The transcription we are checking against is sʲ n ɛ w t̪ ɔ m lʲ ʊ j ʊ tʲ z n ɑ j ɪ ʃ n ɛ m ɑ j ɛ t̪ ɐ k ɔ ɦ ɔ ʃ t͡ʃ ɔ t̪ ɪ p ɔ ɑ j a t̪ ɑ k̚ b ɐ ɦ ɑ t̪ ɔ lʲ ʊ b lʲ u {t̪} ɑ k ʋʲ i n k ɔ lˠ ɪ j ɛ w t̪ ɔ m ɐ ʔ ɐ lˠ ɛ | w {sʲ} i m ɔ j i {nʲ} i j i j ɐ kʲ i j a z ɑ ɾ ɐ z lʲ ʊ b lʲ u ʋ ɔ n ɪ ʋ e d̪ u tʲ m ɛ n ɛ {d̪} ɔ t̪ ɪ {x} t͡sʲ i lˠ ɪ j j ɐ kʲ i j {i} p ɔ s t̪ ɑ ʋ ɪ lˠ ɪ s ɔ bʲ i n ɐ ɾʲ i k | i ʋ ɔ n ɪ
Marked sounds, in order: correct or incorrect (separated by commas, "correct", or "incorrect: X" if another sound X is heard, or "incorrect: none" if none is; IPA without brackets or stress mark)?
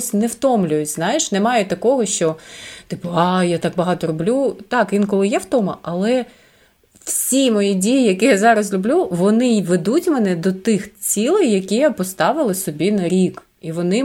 correct, correct, incorrect: dʲ, correct, correct, incorrect: a